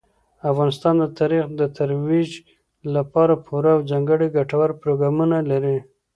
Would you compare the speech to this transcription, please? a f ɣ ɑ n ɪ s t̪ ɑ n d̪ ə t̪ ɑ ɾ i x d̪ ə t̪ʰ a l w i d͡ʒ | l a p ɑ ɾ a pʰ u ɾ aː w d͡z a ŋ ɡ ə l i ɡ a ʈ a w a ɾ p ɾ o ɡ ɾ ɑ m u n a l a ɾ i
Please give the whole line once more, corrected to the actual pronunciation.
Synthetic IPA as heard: a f ɣ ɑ n ɪ s t̪ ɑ n d̪ ə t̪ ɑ ɾ i x d̪ ə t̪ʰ a ɾ w i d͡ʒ | l a p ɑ ɾ a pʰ u ɾ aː w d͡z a ŋ ɡ ə ɽ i ɡ a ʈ a w a ɾ p ɾ o ɡ ɾ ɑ m u n a l a ɾ i